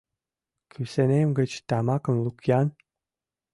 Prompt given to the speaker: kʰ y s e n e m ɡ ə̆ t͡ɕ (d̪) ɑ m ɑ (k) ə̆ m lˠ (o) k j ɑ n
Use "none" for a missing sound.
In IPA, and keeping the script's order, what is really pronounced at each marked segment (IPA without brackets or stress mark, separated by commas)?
t̪, k, u